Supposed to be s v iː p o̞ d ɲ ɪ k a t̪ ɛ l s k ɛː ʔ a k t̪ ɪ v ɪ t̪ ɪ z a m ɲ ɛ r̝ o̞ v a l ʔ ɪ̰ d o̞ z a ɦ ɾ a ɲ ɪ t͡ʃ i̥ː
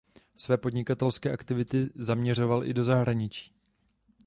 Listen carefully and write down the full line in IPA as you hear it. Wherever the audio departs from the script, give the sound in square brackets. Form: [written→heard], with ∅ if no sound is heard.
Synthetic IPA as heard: s v [iː→ɛː] p o̞ d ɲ ɪ k a t̪ ɛ l s k ɛː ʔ a k t̪ ɪ v ɪ t̪ ɪ z a m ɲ ɛ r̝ o̞ v a l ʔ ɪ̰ d o̞ z a ɦ ɾ a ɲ ɪ t͡ʃ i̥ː